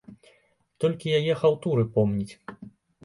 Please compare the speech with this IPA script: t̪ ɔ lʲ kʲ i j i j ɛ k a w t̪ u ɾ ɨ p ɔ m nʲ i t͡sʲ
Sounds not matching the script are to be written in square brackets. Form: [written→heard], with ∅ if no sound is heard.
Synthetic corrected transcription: t̪ ɔ lʲ kʲ i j [i→a] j ɛ [k→x] a w t̪ u ɾ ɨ p ɔ m nʲ i t͡sʲ

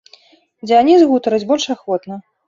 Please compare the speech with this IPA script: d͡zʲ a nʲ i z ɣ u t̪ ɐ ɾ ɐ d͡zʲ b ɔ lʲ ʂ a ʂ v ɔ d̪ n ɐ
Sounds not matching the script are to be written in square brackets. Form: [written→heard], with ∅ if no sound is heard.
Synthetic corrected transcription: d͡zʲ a nʲ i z ɣ u t̪ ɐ ɾ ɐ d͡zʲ b ɔ lʲ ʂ a [ʂ→x] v ɔ [d̪→t̪] n ɐ

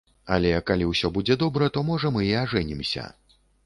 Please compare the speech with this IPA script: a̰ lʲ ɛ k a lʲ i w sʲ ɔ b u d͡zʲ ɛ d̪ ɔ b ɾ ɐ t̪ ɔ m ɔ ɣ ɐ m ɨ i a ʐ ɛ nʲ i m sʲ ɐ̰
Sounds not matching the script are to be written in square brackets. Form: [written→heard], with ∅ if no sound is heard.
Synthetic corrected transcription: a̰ lʲ ɛ k a lʲ i w sʲ ɔ b u d͡zʲ ɛ d̪ ɔ b ɾ ɐ t̪ ɔ m ɔ [ɣ→ʐ] ɐ m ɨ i a ʐ ɛ nʲ i m sʲ ɐ̰

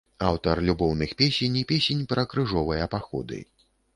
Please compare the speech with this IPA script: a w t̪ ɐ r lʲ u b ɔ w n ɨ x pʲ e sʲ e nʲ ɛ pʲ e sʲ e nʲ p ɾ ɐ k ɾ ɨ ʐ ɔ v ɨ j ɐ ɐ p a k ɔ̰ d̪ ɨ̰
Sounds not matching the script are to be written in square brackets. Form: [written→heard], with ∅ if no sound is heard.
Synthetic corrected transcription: a w t̪ ɐ r lʲ u b ɔ w n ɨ x pʲ e sʲ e nʲ [ɛ→i] pʲ e sʲ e nʲ p ɾ ɐ k ɾ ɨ ʐ ɔ v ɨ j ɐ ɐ p a [k→x] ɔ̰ d̪ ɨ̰

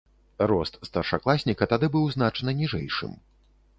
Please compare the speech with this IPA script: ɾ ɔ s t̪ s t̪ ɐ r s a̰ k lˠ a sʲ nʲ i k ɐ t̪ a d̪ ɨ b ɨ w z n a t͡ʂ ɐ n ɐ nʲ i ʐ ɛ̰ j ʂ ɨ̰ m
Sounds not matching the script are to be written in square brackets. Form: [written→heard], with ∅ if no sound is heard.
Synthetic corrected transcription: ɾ ɔ s t̪ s t̪ ɐ r [s→ʂ] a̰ k lˠ a sʲ nʲ i k ɐ t̪ a d̪ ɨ b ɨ w z n a t͡ʂ ɐ n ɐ nʲ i ʐ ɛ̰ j ʂ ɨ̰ m

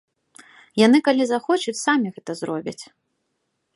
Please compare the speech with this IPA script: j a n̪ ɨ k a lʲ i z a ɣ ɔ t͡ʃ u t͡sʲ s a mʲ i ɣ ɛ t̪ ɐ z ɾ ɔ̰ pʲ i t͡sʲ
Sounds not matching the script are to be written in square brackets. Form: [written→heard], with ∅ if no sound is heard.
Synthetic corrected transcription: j a n̪ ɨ k a lʲ i z a [ɣ→x] ɔ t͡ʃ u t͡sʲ s a mʲ i ɣ ɛ t̪ ɐ z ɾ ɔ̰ [pʲ→bʲ] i t͡sʲ

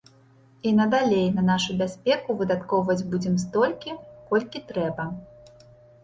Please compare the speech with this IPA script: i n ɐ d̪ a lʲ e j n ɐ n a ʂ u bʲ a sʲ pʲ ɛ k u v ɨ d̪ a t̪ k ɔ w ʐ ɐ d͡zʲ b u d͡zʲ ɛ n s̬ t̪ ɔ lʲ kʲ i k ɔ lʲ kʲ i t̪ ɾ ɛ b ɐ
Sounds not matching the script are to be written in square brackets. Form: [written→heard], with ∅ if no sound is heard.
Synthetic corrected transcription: i n ɐ d̪ a lʲ e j n ɐ n a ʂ u bʲ a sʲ pʲ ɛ k u v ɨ d̪ a t̪ k ɔ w [ʐ→v] ɐ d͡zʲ b u d͡zʲ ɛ [n→m] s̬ t̪ ɔ lʲ kʲ i k ɔ lʲ kʲ i t̪ ɾ ɛ b ɐ

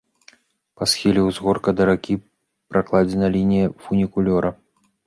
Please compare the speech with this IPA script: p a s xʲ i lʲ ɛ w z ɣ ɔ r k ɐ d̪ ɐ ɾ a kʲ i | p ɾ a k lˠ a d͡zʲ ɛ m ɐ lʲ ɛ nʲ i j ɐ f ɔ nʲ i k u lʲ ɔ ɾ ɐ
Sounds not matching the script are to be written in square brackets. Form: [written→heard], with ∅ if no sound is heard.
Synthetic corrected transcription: p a s xʲ i lʲ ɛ w z ɣ ɔ r k ɐ d̪ ɐ ɾ a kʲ i | p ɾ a k lˠ a d͡zʲ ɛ [m→n] ɐ lʲ [ɛ→i] nʲ i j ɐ f [ɔ→u] nʲ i k u lʲ ɔ ɾ ɐ

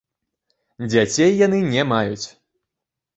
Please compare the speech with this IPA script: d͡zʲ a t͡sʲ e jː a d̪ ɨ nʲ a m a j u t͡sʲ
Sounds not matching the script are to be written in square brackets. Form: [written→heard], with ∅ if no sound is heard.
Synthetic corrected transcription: d͡zʲ a t͡sʲ e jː a [d̪→n̪] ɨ nʲ [a→ɛ] m a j u t͡sʲ

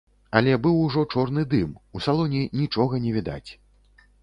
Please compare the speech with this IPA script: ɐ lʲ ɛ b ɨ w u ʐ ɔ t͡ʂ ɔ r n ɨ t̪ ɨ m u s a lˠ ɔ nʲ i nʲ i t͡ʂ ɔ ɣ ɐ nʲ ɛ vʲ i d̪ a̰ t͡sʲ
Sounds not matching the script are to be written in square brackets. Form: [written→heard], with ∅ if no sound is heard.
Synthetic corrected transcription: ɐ lʲ ɛ b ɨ w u ʐ ɔ t͡ʂ ɔ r n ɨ [t̪→d̪] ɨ m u s a lˠ ɔ nʲ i nʲ i t͡ʂ ɔ ɣ ɐ nʲ ɛ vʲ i d̪ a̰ t͡sʲ

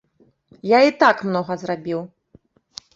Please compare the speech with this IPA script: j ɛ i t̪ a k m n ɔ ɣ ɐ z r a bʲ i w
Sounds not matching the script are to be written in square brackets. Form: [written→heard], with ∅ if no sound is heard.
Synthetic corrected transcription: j [ɛ→a] i t̪ a k m n ɔ ɣ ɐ z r a bʲ i w

